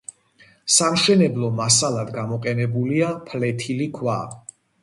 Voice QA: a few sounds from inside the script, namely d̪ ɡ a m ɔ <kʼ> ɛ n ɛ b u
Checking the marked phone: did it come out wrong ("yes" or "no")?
yes